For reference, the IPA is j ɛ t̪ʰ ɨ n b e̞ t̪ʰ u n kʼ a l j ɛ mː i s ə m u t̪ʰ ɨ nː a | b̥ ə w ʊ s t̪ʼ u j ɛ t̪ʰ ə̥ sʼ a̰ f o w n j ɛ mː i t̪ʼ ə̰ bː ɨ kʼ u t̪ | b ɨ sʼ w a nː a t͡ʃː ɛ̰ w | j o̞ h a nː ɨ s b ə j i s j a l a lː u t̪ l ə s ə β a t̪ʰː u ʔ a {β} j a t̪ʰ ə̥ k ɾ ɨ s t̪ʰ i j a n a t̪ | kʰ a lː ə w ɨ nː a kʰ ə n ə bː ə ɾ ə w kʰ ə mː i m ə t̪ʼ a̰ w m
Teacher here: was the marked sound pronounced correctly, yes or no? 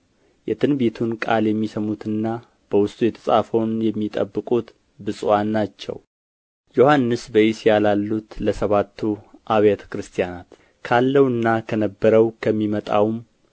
yes